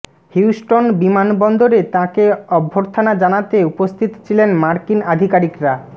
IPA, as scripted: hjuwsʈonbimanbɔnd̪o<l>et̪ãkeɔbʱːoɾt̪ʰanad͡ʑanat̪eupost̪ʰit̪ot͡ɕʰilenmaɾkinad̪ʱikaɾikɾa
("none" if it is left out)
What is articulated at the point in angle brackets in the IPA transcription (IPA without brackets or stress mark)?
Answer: ɾ